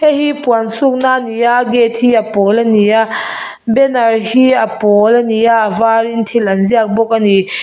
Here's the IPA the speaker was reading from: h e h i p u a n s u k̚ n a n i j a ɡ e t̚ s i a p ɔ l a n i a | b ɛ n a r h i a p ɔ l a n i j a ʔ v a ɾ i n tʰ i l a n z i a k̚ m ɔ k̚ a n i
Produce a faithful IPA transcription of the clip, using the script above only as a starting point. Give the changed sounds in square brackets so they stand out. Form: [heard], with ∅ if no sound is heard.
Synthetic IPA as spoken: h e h i p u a n s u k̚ n a n i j a ɡ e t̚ [h] i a p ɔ l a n i a | b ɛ n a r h i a p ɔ l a n i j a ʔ v a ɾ i n tʰ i l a n z i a k̚ [b] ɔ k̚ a n i